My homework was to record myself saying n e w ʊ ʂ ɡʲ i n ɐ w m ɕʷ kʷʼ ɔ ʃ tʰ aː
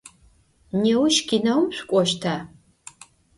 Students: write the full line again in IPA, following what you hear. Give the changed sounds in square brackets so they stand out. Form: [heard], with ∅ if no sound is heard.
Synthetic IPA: n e w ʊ [ʃ] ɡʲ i n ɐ w m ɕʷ kʷʼ ɔ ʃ tʰ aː